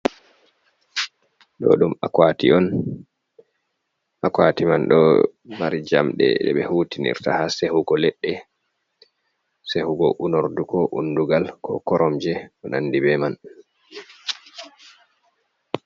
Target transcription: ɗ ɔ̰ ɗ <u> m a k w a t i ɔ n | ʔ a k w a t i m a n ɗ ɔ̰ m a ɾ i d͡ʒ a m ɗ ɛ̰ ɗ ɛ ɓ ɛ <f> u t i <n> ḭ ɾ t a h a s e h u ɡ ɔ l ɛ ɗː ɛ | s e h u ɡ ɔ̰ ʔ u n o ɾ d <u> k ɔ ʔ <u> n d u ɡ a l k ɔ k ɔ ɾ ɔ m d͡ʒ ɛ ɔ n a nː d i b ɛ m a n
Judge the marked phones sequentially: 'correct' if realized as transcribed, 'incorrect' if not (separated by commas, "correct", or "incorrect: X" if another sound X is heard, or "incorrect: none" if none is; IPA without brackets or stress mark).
correct, incorrect: h, correct, correct, correct